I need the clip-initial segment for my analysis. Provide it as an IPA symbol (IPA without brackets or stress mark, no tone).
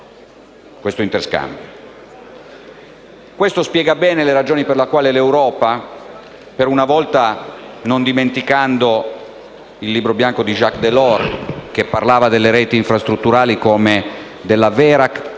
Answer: k